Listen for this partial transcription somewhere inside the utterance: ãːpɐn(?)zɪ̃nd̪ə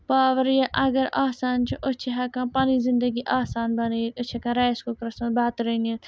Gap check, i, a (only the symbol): i